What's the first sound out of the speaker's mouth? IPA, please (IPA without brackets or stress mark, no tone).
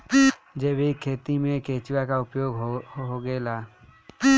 d͡ʒ